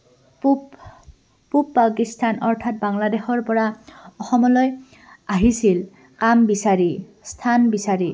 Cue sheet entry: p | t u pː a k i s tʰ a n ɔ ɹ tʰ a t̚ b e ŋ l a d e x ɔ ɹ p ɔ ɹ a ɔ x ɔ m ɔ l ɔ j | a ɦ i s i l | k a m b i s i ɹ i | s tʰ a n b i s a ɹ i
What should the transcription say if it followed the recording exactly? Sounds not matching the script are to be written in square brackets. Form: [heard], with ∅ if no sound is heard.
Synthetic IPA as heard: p | [p] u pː a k i s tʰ a n ɔ ɹ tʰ a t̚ b [a] ŋ l a d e x ɔ ɹ p ɔ ɹ a ɔ x ɔ m ɔ l ɔ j | a ɦ i s i l | k a m b i s [a] ɹ i | s tʰ a n b i s a ɹ i